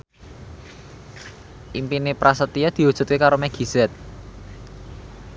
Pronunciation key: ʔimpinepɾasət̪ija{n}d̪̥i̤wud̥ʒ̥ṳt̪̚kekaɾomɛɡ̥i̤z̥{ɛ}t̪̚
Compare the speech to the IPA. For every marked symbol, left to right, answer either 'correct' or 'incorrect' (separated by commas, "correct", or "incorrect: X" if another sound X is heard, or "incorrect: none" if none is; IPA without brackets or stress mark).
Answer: incorrect: none, correct